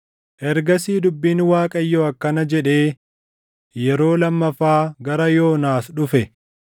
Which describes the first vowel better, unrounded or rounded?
unrounded